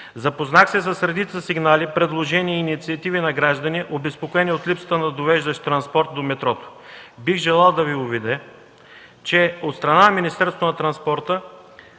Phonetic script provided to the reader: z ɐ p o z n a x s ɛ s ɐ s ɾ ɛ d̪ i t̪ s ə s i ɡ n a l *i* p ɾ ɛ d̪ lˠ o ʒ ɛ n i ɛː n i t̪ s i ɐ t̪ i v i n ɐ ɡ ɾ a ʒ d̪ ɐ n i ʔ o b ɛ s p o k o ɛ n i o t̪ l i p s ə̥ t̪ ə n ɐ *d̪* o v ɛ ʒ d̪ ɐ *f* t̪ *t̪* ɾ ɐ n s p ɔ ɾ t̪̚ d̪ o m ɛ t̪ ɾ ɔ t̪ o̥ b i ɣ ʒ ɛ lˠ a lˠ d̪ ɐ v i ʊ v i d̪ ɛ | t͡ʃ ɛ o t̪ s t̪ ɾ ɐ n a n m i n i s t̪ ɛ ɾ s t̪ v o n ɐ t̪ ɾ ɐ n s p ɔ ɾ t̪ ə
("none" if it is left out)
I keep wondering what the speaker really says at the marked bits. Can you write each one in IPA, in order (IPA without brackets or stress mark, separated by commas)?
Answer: i, d̪, ʃ, t̪